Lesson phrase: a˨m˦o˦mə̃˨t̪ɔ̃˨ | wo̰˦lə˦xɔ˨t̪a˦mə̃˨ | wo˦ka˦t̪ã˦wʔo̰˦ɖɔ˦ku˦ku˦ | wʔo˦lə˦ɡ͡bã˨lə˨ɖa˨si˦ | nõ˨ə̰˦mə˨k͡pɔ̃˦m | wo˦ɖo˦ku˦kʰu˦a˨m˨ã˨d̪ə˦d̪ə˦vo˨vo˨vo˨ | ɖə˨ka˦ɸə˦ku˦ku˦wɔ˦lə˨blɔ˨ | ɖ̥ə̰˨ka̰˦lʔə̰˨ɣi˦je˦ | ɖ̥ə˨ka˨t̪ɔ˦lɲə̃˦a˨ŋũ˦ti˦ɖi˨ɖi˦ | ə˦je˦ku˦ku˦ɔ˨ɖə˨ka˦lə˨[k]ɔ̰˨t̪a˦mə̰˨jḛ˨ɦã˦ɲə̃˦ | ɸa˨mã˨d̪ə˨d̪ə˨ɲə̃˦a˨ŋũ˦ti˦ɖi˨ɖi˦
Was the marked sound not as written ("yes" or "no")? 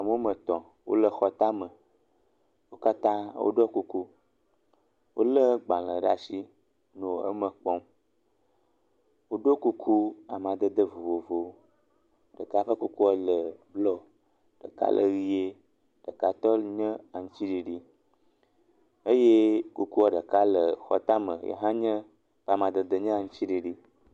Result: yes